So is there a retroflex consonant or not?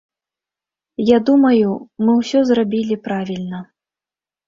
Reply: no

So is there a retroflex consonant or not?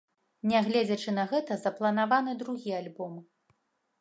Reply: yes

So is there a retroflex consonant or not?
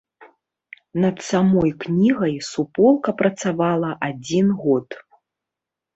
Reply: no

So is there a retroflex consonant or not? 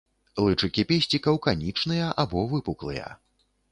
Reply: yes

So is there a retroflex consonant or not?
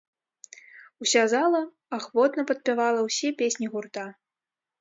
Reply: no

